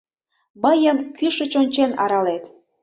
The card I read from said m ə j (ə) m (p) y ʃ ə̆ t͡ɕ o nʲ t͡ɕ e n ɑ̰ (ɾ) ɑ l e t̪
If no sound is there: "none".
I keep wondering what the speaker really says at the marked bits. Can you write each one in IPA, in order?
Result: ə, k, ɾ

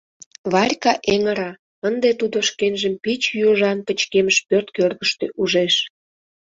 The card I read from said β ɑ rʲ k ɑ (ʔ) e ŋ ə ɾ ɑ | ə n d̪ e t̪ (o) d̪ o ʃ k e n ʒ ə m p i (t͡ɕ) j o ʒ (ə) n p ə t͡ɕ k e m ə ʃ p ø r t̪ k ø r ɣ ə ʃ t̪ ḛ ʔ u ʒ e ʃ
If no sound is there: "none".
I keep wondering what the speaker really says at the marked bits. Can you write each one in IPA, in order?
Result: ʔ, u, t͡ɕ, ɑ

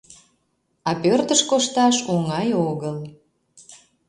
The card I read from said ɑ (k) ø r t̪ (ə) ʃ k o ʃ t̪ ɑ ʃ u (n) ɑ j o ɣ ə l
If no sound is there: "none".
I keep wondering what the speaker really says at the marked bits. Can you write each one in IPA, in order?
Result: p, ə, ŋ

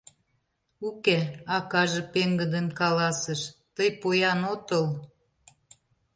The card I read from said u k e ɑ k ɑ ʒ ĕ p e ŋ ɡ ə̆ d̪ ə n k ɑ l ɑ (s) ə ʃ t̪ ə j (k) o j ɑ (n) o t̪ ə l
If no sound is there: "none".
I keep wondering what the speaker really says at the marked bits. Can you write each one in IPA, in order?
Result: s, p, n

